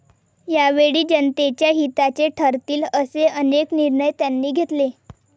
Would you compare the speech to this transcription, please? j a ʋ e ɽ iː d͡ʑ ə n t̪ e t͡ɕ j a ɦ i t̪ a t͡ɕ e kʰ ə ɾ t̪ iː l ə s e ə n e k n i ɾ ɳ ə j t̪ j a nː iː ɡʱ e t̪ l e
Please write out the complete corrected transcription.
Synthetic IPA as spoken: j a ʋ e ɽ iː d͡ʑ ə n t̪ e t͡ɕ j a ɦ i t̪ a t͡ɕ e ʈʰ ə ɾ t̪ iː l ə s e ə n e k n i ɾ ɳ ə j t̪ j a nː iː ɡʱ e t̪ l e